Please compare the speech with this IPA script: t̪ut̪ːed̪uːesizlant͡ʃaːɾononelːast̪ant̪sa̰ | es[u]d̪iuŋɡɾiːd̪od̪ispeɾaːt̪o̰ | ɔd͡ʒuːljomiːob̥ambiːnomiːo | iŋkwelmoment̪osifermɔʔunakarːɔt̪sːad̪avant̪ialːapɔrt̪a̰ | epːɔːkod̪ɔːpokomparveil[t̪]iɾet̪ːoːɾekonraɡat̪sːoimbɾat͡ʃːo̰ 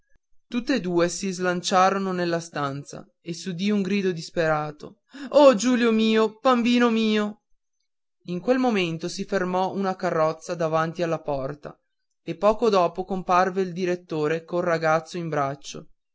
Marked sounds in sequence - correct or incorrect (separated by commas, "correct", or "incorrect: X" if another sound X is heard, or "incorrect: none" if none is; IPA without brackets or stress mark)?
correct, incorrect: d̪